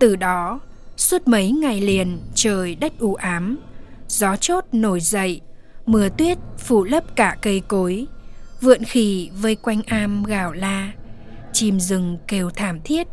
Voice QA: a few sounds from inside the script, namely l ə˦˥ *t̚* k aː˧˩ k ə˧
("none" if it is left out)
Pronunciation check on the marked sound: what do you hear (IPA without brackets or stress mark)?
p̚